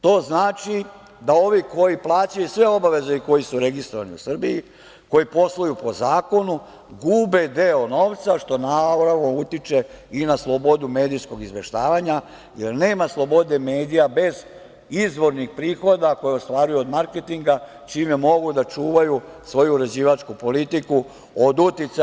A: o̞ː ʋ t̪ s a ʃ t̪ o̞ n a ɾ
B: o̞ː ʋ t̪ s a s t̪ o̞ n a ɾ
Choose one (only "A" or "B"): A